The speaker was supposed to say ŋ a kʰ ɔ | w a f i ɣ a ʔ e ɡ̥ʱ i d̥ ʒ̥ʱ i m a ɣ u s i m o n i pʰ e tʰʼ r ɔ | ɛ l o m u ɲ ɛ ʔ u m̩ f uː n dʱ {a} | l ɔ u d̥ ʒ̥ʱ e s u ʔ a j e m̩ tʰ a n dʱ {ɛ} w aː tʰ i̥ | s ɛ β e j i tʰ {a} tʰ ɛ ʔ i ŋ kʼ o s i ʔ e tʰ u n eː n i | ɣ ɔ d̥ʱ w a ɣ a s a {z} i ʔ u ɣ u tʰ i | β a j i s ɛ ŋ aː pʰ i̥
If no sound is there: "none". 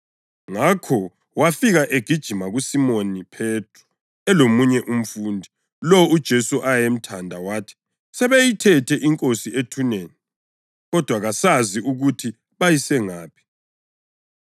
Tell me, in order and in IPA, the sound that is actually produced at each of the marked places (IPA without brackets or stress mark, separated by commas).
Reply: i, a, ɛ, z